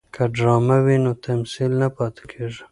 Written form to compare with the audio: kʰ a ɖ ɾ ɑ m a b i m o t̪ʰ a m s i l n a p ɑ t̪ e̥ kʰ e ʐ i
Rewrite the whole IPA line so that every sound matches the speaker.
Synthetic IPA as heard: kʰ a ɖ ɾ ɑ m a w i n o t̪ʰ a m s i l n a p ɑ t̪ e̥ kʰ e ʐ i